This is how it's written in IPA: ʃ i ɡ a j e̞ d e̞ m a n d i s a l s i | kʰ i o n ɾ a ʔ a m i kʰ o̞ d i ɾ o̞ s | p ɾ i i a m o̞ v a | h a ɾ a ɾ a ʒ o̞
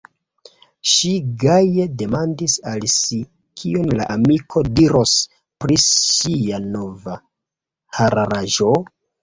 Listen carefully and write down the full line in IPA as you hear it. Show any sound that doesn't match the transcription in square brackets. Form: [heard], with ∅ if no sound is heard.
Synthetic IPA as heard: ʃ i ɡ a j e̞ d e̞ m a n d i s a l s i | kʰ i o n [l] a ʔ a m i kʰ o̞ d i ɾ o̞ s | p ɾ i i a [n] o̞ v a | h a ɾ a ɾ a ʒ o̞